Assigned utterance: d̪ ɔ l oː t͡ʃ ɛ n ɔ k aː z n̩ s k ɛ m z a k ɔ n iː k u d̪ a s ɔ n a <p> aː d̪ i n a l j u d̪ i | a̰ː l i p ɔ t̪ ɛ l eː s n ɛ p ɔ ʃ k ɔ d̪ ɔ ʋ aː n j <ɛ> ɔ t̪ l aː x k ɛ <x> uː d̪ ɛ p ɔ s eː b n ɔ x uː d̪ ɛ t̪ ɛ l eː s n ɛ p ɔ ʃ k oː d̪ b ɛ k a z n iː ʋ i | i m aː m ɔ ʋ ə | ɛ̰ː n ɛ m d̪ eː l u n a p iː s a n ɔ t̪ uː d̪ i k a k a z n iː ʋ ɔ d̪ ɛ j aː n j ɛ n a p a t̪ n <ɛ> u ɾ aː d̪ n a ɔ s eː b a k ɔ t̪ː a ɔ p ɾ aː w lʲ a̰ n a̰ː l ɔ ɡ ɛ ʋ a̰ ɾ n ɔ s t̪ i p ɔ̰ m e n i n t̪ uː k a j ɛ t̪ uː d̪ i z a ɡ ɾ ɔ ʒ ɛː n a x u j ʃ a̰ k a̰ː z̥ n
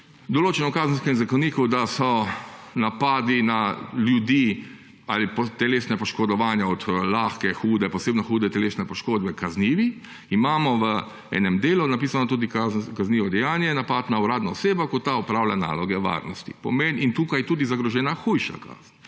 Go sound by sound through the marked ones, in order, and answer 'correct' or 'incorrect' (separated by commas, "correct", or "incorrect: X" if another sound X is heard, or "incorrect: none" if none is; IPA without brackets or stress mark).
correct, incorrect: a, correct, incorrect: a